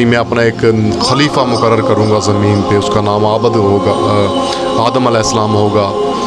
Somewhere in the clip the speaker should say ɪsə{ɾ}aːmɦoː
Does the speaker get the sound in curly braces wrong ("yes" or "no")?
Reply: yes